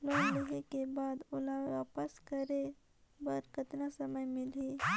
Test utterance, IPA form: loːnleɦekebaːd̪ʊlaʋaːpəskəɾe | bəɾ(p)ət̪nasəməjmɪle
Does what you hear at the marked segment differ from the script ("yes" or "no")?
yes